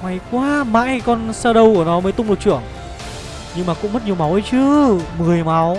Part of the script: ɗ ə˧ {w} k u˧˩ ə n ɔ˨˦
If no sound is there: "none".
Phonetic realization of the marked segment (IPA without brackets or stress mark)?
w